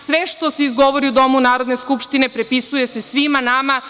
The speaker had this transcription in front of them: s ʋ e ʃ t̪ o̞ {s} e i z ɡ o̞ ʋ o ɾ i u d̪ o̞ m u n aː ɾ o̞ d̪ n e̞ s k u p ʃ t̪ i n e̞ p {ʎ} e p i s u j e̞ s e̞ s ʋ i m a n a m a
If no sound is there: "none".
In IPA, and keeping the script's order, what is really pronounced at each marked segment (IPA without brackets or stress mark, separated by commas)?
s, ɾ